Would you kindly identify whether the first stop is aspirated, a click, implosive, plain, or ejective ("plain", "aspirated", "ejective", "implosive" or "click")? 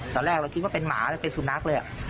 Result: plain